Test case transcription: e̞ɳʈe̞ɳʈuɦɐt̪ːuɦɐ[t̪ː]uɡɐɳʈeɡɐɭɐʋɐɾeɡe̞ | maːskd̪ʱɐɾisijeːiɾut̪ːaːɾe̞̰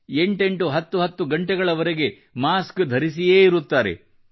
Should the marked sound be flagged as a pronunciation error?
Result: no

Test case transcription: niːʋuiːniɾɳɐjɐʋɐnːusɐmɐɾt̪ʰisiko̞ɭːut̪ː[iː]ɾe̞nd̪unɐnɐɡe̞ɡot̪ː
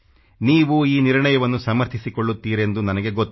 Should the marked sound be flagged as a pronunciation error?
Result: no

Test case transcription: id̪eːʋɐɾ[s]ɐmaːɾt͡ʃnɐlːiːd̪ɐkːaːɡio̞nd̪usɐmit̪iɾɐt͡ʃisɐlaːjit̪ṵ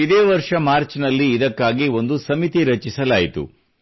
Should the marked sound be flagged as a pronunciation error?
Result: yes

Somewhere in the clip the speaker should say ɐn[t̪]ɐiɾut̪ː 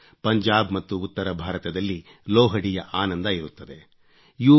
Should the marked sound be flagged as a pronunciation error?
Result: yes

